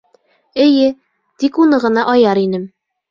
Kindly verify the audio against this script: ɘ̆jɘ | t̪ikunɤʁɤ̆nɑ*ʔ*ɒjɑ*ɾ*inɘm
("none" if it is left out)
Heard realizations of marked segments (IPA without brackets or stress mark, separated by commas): ʔ, ɾ